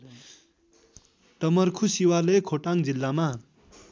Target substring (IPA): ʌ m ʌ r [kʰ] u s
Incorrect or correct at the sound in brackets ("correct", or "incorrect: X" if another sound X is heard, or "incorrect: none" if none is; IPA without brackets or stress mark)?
correct